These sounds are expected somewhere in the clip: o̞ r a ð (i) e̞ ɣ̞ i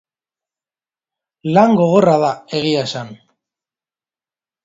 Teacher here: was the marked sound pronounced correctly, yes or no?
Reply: no